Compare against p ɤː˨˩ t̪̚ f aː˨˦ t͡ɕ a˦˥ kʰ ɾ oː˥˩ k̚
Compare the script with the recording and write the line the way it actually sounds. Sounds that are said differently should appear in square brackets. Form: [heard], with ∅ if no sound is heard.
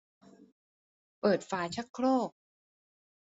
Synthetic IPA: p ɤː˨˩ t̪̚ f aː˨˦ [t͡ɕʰ] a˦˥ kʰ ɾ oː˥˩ k̚